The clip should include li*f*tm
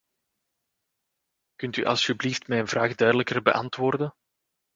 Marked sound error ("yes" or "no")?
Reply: no